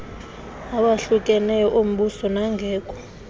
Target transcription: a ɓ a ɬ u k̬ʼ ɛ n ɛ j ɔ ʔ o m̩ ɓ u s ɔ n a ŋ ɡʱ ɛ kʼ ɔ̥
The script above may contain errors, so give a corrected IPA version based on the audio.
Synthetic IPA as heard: a ɓ a ɬ u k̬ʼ ɛ n ɛ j ɔ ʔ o m̩ ɓ u s ɔ n a ŋ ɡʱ ɛː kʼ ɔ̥